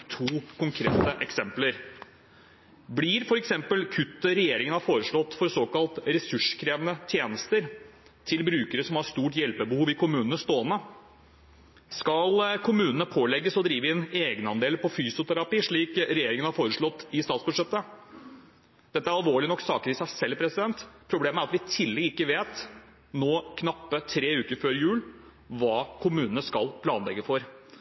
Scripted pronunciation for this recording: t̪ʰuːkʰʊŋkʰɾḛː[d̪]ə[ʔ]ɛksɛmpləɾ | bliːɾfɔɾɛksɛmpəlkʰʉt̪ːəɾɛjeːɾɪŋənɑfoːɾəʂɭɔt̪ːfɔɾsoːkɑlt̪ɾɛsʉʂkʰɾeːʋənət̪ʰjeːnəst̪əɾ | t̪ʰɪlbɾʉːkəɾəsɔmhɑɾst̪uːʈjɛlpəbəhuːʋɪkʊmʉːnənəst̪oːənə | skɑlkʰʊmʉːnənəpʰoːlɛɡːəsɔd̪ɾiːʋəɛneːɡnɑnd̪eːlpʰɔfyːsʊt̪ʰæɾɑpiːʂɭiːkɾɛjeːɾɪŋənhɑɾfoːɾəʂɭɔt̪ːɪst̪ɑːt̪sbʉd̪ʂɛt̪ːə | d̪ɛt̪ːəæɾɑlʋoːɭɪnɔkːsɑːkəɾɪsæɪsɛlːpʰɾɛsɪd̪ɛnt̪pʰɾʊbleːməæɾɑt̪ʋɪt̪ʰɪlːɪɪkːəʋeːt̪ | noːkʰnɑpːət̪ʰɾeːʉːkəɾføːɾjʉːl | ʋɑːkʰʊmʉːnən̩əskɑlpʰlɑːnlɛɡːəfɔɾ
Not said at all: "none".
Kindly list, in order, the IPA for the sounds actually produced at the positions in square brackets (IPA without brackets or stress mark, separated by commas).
t̪, ʔ